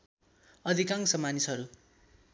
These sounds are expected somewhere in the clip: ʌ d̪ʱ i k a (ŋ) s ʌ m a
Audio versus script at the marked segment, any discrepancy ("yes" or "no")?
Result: no